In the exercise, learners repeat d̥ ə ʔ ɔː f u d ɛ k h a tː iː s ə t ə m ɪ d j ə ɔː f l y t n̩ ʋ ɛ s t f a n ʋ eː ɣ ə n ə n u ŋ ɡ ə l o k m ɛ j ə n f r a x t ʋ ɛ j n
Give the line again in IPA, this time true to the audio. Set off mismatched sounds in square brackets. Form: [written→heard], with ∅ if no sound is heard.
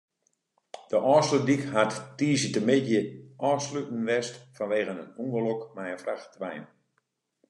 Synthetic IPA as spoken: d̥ ə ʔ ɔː [f→s] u d [ɛ→i] k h a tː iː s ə t ə m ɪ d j ə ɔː [f→s] l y t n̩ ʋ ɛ s t f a n ʋ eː ɣ ə n ə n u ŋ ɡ ə l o k m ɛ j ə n f r a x t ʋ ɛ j n